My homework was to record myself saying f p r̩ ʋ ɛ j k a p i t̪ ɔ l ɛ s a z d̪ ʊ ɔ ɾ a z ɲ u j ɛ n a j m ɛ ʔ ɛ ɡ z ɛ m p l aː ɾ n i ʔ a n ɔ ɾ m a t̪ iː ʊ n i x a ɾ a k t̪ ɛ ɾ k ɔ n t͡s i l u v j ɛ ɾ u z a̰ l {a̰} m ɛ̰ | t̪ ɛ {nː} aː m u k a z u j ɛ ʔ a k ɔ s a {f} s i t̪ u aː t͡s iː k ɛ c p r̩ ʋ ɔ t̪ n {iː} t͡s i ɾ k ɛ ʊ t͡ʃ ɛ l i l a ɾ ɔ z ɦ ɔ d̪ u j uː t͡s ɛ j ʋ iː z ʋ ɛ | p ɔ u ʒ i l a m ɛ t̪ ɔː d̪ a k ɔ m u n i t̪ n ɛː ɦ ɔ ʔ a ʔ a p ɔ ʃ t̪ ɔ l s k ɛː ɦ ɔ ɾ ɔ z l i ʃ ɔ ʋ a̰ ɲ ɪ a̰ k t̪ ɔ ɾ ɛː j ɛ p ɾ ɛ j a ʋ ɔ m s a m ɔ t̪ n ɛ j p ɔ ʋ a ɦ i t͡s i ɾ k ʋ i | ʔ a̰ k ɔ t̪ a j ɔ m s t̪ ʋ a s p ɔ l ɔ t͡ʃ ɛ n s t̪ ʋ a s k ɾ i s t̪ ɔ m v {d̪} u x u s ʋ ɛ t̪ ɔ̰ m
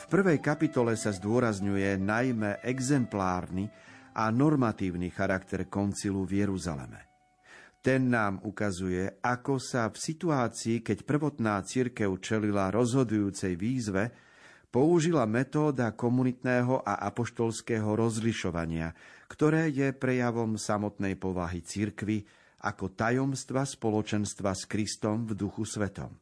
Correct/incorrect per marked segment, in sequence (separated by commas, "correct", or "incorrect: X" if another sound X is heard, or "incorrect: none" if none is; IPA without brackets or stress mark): incorrect: ɛ̰, correct, correct, incorrect: aː, correct